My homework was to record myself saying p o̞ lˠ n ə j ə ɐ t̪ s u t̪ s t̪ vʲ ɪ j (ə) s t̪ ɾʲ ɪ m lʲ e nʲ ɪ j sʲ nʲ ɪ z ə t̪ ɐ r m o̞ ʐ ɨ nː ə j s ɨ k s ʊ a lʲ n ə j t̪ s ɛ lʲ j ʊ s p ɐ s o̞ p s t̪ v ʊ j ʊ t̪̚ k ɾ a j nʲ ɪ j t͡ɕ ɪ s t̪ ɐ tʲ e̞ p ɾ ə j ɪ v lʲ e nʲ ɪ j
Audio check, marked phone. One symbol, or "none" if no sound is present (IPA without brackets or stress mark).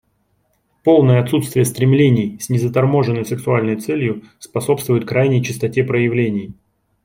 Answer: ə